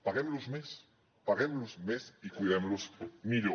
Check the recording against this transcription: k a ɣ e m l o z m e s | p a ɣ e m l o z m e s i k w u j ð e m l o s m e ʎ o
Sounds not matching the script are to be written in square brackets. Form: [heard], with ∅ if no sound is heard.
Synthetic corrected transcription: [p] a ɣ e m l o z m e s | p a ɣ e m l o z m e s i k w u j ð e m l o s m [i] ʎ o